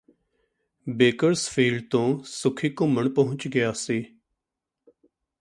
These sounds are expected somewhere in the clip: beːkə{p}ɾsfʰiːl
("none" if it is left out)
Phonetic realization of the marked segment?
none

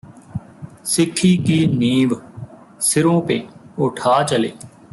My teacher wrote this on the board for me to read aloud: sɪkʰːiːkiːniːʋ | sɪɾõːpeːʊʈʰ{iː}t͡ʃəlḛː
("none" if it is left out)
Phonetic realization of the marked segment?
aː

